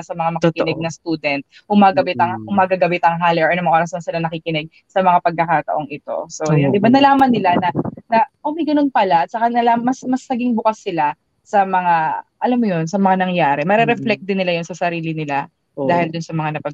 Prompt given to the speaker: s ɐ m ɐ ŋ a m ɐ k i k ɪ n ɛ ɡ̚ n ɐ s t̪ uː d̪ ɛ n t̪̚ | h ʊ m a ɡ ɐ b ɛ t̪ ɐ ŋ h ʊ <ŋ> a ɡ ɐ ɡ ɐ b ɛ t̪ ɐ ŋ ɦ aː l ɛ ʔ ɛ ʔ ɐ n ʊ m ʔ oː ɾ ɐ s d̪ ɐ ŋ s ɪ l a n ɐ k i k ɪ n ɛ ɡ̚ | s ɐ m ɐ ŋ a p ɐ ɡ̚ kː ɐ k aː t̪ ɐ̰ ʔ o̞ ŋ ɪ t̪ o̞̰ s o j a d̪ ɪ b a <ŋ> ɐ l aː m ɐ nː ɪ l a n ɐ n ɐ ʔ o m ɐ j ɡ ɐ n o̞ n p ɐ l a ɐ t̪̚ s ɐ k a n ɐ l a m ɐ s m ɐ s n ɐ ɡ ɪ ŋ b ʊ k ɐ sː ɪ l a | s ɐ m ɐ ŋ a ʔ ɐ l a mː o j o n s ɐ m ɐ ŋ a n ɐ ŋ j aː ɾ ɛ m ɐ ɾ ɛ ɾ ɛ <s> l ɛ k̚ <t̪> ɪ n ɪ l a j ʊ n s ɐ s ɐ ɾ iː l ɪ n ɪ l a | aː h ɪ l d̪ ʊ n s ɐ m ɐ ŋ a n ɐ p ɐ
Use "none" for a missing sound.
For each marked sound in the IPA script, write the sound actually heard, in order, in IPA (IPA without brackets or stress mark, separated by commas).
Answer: m, n, f, d̪